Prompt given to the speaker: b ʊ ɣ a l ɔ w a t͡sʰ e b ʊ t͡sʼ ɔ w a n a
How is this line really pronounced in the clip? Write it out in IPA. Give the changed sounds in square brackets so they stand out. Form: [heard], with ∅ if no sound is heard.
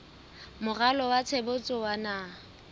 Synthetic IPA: [m] ʊ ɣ a l ɔ w a t͡sʰ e b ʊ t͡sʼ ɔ w a n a